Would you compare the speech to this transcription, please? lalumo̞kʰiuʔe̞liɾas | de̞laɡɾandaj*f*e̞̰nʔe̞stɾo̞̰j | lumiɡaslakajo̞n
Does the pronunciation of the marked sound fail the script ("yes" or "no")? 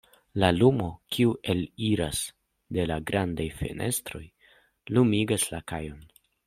no